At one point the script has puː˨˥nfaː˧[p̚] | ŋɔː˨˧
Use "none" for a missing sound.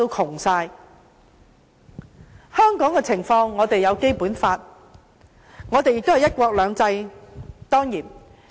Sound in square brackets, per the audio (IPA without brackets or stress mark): t̚